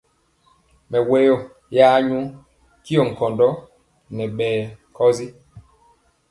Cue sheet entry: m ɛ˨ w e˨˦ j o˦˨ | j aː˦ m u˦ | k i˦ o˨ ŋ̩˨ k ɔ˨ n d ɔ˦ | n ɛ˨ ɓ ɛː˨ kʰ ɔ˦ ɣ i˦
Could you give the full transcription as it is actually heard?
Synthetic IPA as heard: m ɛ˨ w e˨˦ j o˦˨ | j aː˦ ɲ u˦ | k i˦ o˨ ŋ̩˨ k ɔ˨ n d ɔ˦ | n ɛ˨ ɓ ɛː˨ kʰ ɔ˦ z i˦

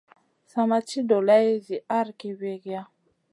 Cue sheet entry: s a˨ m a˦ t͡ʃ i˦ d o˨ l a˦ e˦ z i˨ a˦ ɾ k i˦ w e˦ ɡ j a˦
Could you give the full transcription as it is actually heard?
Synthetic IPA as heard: s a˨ m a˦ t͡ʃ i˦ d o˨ l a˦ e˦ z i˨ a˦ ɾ k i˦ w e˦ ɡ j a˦

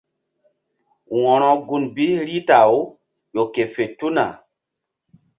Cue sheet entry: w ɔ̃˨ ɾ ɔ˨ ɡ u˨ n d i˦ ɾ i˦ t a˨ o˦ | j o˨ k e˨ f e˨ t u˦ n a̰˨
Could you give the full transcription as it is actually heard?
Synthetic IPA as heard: w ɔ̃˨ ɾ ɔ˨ ɡ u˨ n b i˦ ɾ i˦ t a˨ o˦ | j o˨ k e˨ f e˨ t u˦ n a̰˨

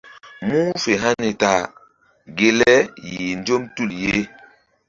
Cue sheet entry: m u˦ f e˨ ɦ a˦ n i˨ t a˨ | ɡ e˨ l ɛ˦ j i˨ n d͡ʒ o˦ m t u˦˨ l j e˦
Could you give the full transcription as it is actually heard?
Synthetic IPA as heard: m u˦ f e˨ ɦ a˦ n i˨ t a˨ | ɡ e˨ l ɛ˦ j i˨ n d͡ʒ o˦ m t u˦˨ l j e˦

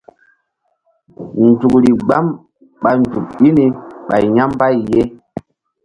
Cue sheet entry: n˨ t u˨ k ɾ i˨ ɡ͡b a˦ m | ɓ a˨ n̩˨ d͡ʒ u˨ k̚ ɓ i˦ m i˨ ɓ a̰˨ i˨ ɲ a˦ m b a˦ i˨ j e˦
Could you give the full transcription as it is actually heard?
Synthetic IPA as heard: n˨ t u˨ k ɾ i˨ ɡ͡b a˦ m | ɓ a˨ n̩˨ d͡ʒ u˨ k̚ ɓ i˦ n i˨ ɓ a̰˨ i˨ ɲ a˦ m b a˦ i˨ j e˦

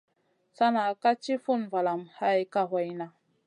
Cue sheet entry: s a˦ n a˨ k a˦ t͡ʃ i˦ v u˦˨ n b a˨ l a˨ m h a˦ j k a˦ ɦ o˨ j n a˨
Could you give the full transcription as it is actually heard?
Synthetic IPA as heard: s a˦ n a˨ k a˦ t͡ʃ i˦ f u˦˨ n v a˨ l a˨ m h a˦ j k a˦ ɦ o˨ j n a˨

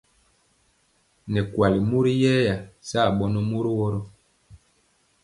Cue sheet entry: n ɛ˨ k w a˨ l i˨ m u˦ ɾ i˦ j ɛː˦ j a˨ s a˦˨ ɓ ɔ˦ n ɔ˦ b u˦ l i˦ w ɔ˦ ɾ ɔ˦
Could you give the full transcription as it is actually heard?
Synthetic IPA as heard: n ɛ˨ k w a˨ l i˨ m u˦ ɾ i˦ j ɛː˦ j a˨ s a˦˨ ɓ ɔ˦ n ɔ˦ m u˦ ɾ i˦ w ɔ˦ ɾ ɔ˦

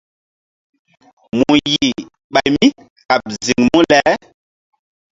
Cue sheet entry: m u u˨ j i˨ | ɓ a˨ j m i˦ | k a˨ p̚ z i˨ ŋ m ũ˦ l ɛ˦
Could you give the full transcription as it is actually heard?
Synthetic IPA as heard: m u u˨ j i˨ | ɓ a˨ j m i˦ | k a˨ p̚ z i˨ ŋ m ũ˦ l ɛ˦

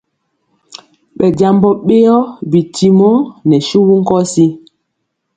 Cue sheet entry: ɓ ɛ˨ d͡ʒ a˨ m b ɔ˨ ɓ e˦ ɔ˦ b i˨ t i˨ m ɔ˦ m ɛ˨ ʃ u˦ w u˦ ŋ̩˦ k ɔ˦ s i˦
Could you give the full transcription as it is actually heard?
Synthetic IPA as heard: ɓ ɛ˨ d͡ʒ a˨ m b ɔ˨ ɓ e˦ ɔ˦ b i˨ t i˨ m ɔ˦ n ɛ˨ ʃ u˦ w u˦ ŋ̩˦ k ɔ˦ s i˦

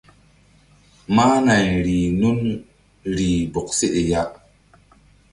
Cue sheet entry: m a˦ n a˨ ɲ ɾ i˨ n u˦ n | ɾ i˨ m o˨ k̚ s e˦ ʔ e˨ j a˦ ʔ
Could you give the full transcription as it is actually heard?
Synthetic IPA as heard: m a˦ n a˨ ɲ ɾ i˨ n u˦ n | ɾ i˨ b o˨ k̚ s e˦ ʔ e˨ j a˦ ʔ

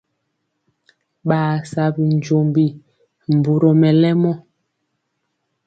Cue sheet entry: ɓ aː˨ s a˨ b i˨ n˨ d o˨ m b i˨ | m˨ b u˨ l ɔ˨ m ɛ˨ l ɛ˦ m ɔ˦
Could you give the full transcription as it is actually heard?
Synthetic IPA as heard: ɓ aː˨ s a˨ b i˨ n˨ d͡ʒ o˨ m b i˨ | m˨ b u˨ ɾ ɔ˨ m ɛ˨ l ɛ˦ m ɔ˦

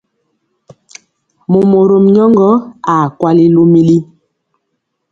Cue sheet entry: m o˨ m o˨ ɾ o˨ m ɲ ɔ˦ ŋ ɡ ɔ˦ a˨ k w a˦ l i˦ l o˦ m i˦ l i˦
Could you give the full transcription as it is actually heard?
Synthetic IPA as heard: m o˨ m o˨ ɾ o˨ m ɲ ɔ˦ ŋ ɡ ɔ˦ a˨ k w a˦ l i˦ l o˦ m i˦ l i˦

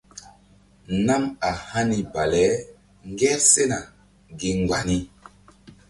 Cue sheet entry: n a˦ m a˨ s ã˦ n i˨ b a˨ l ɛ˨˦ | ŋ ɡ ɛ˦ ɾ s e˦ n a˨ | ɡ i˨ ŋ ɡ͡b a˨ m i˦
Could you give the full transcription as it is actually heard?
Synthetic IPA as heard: n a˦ m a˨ h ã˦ n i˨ b a˨ l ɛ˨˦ | ŋ ɡ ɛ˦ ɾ s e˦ n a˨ | ɡ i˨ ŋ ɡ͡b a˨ n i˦

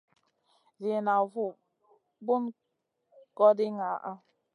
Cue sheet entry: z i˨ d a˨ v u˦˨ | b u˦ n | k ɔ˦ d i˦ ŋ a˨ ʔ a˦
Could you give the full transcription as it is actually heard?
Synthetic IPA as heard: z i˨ n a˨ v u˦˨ | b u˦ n | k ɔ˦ d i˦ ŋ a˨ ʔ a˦

